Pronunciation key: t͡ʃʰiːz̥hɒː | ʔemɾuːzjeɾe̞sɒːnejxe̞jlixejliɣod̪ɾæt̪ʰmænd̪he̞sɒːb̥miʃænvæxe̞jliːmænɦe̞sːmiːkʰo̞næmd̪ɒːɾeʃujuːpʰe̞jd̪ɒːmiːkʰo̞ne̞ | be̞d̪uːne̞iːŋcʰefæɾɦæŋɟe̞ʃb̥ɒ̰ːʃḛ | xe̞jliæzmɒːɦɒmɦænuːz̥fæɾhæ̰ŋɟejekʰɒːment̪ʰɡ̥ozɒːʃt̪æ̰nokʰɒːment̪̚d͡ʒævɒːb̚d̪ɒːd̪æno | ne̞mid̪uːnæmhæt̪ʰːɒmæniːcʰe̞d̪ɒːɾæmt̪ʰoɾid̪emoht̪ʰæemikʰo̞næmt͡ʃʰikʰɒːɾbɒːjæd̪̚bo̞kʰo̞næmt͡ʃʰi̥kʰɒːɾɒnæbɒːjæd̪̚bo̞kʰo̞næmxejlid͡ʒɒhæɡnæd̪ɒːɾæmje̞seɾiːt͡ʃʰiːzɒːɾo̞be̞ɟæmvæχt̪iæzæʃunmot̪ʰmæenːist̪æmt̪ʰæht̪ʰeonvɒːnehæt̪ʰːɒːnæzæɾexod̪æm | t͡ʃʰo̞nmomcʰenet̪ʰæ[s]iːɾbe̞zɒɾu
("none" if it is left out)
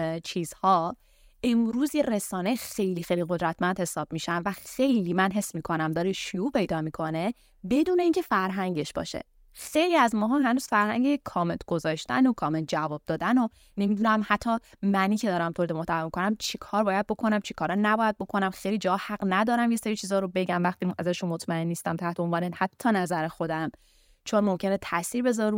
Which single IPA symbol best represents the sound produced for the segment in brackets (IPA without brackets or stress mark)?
s